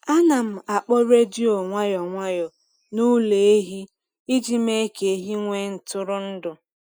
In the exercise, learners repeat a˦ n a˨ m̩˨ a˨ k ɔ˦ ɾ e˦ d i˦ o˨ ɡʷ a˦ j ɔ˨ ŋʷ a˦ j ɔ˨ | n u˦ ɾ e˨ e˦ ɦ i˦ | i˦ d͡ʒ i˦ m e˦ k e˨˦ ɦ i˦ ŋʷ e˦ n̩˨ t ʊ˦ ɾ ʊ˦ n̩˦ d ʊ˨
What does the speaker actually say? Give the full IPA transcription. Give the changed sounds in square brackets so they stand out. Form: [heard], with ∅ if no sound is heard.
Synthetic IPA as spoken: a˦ n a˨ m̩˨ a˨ [k͡p] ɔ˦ ɾ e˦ d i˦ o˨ [ŋʷ] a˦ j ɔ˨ ŋʷ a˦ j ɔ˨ | n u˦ [l] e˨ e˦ ɦ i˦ | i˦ d͡ʒ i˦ m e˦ k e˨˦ ɦ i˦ ŋʷ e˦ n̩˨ t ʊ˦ ɾ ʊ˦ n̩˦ d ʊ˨